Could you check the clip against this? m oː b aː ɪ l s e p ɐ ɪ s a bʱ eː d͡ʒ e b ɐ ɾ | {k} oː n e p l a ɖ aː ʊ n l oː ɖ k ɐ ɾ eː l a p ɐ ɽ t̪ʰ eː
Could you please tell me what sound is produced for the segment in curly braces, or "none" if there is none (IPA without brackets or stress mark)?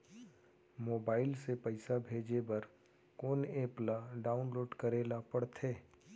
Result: k